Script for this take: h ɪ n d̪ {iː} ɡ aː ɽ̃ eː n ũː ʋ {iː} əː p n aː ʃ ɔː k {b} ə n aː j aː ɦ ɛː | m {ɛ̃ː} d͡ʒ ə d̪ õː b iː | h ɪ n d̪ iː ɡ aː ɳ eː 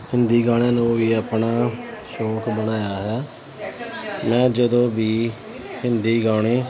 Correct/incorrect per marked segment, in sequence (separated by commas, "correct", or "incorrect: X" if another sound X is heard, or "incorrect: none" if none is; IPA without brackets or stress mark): correct, correct, correct, correct